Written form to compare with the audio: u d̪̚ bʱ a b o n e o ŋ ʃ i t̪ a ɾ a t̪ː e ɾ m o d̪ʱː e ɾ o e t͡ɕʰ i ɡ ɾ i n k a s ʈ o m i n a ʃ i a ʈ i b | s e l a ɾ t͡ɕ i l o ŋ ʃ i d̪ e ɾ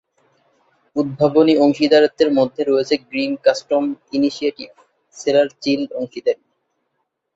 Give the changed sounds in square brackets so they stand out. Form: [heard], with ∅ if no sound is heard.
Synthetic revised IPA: u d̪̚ bʱ a b o n [i] o ŋ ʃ i [d̪] a ɾ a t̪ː e ɾ m o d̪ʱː e ɾ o e t͡ɕʰ [e] ɡ ɾ i n k a s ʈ o m i n [i] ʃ i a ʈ i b | s e l a ɾ t͡ɕ i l o ŋ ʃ i d̪ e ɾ